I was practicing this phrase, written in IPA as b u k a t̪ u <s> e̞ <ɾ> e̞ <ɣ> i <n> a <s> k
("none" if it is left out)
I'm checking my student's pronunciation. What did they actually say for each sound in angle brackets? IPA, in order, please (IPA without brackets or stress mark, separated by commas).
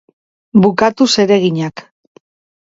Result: s, ɾ, ɣ, ɲ, none